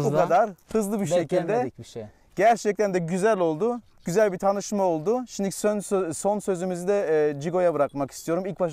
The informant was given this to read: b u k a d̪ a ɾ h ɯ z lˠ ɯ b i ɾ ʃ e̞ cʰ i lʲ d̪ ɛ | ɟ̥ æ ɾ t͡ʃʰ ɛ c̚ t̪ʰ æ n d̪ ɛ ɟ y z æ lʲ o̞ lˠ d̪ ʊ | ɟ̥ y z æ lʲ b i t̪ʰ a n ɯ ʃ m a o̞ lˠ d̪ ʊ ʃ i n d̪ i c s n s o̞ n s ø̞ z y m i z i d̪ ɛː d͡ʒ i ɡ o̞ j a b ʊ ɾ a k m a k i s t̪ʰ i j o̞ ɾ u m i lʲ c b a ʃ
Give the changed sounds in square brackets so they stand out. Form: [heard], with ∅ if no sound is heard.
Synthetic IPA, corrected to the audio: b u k a d̪ a ɾ h ɯ z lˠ ɯ b i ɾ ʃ e̞ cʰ i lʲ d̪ ɛ | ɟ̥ æ ɾ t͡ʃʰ ɛ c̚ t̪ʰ æ n d̪ ɛ ɟ y z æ lʲ o̞ lˠ d̪ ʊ | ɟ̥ y z æ lʲ b i t̪ʰ a n ɯ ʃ m a o̞ lˠ d̪ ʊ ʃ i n d̪ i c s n s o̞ n s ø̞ z y m i z i d̪ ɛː d͡ʒ i ɡ o̞ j a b [ɯ] ɾ a k m a k i s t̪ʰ i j o̞ ɾ u m i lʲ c b a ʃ